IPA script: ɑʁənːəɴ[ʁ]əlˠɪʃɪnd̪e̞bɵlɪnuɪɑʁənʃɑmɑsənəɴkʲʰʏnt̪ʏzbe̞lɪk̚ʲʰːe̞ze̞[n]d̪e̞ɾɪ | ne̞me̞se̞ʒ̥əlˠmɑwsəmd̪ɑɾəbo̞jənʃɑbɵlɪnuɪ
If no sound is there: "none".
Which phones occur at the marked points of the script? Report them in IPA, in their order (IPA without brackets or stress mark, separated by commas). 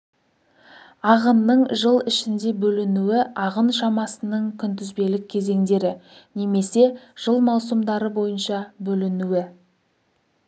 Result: ʒ, ŋ